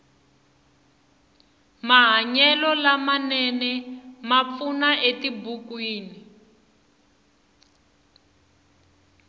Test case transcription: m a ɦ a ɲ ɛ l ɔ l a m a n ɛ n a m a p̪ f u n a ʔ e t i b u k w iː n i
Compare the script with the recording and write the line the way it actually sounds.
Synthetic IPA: m a ɦ a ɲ ɛ l ɔ l a m a n ɛ n ɛ m a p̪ f u n a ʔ e t i b u k w iː n i